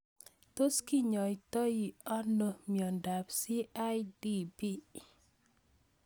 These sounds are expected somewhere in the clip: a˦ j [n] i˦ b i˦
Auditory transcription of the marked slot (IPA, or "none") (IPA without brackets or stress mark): d